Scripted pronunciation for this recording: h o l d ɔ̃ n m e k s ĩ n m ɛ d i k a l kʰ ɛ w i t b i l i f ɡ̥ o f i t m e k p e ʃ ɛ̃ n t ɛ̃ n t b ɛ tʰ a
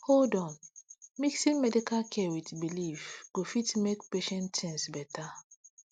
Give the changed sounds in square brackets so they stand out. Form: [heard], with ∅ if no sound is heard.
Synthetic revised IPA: h o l d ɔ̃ n m [i] k s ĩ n m ɛ d i k a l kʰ ɛ w i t b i l i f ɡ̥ o f i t m e k p e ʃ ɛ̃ n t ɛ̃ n [s] b ɛ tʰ a